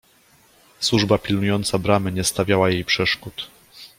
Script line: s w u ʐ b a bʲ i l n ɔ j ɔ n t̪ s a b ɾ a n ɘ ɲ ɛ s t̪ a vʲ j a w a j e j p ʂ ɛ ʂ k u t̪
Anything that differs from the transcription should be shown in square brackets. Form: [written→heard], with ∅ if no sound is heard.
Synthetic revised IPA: s w u ʐ b a [bʲ→pʲ] i l n [ɔ→u] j ɔ n t̪ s a b ɾ a [n→m] ɘ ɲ ɛ s t̪ a vʲ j a w a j e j p ʂ ɛ ʂ k u t̪